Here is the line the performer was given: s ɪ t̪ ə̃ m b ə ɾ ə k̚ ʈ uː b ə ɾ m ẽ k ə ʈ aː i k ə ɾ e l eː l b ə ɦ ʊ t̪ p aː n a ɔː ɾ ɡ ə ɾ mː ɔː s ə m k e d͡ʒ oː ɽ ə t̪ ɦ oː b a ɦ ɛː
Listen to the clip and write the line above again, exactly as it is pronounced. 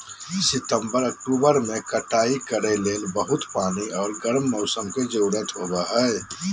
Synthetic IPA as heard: s ɪ t̪ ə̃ m b ə ɾ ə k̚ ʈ uː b ə ɾ m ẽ k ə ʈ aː i k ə ɾ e l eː l b ə ɦ ʊ t̪ p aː n i ɔː ɾ ɡ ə ɾ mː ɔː s ə m k e d͡ʒ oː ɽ ə t̪ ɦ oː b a ɦ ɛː